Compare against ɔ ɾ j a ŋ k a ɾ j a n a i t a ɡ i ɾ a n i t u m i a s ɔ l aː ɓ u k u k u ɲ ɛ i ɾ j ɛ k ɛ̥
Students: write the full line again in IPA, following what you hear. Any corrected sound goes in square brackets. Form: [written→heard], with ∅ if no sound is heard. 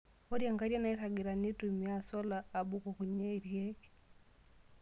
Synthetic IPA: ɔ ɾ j a ŋ [k→ɡ] a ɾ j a n a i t a ɡ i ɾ a n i t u m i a s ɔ l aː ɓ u k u k u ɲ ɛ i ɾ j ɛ k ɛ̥